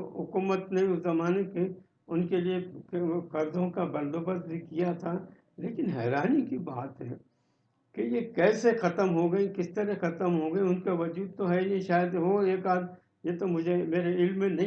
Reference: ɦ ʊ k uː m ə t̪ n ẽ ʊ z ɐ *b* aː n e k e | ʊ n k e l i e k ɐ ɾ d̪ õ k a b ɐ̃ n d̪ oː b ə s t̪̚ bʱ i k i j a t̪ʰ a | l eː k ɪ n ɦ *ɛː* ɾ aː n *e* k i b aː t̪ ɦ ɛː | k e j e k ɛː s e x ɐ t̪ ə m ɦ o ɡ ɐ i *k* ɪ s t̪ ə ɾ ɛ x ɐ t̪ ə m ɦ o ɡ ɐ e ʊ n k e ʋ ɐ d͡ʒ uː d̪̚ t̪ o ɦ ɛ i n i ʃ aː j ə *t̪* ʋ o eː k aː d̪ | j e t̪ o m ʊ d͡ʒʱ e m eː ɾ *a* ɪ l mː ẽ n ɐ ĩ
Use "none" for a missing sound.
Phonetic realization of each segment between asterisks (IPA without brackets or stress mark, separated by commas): m, ɛː, i, k, d̪, e